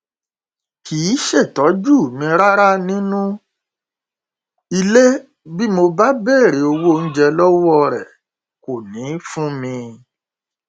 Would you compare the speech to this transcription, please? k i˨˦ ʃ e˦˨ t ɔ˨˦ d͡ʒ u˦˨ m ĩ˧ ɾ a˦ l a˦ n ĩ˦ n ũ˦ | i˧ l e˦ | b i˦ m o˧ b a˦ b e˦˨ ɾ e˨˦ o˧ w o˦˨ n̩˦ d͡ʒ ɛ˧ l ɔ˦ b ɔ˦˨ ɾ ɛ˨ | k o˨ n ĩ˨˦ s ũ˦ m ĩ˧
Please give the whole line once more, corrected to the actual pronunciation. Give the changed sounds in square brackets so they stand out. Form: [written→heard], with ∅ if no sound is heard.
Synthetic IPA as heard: k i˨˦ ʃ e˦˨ t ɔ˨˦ d͡ʒ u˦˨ m ĩ˧ ɾ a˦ [l→ɾ] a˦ n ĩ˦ n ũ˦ | i˧ l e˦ | b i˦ m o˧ b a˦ b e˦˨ ɾ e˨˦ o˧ w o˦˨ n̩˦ d͡ʒ ɛ˧ l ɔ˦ [b→w] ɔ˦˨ ɾ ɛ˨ | k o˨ n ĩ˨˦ [s→f] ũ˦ m ĩ˧